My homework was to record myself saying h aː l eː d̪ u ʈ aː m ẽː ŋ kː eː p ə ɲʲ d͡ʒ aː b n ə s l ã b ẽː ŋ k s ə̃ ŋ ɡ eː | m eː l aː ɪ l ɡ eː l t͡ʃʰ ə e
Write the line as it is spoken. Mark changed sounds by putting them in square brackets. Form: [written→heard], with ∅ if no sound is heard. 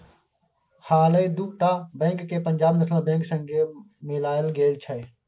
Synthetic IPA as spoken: h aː l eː d̪ u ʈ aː [m→b] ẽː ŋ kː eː p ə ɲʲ d͡ʒ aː b n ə s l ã b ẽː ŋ k s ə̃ ŋ ɡ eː | m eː l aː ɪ l ɡ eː l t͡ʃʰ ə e